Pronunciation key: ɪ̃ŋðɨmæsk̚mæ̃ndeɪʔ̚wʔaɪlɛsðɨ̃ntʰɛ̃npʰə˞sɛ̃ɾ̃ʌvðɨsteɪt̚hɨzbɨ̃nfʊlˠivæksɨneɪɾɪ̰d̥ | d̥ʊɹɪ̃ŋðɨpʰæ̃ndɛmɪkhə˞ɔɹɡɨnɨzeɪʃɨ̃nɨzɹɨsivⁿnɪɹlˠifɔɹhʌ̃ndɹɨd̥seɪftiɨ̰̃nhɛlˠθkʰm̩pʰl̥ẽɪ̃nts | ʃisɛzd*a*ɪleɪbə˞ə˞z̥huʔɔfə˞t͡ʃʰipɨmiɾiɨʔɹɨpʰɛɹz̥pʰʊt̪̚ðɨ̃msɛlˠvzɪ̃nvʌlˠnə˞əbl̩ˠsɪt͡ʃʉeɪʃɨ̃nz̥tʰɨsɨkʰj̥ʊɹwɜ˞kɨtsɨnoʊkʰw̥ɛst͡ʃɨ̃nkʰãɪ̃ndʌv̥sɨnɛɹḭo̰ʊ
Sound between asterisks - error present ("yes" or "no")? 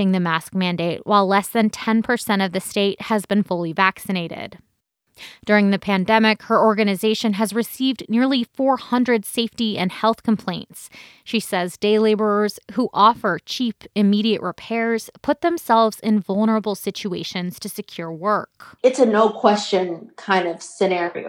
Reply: yes